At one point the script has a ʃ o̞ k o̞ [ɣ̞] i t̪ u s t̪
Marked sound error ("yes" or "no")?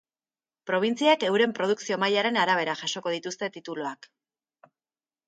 yes